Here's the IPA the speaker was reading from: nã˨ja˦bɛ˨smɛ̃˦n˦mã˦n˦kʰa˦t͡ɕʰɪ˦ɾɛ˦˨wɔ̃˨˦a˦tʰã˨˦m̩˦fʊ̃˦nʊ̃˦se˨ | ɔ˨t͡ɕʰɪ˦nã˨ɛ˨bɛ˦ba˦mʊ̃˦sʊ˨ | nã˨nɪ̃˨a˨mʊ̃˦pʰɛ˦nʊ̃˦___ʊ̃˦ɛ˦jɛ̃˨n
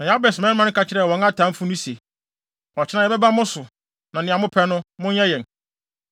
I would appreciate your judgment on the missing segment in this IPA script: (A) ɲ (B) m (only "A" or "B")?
B